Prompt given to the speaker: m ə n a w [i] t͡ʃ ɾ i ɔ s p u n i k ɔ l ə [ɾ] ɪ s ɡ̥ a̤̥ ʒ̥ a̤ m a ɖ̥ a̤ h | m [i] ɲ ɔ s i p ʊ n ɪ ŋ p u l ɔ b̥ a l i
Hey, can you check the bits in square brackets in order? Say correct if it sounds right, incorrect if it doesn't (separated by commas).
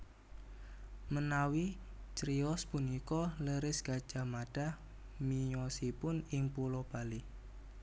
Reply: correct, correct, correct